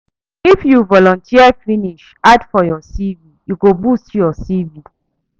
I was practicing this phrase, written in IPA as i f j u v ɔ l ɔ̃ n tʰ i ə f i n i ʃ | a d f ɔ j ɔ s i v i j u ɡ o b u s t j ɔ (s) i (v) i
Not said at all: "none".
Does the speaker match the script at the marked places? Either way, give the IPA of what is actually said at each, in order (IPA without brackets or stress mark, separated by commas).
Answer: s, v